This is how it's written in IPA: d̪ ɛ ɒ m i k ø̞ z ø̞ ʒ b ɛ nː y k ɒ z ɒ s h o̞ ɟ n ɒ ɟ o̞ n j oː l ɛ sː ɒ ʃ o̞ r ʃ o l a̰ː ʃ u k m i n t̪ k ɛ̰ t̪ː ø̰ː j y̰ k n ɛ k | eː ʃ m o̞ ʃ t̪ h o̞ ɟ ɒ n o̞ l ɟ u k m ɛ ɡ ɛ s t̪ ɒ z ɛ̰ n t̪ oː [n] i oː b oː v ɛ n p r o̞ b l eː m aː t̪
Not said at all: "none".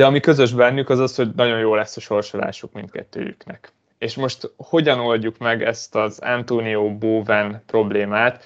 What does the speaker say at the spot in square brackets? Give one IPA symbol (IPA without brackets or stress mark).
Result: n